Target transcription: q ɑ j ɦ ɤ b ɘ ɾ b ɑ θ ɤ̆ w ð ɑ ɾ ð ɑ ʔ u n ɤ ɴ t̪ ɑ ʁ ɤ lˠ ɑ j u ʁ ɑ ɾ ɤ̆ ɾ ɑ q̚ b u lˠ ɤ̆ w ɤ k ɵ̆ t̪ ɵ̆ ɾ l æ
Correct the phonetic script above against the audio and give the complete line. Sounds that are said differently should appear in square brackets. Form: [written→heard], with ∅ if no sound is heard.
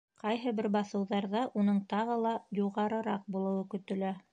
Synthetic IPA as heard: q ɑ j ɦ ɤ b ɘ ɾ b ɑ θ ɤ̆ w ð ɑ ɾ ð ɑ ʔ u n ɤ ɴ t̪ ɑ ʁ ɤ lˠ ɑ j u ʁ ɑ ɾ ɤ̆ ɾ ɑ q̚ b u lˠ ɤ̆ w ɤ k ɵ̆ t̪ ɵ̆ [ɾ→∅] l æ